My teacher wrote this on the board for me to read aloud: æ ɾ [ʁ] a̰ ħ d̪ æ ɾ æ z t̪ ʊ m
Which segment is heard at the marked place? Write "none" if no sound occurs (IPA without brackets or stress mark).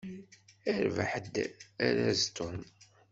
v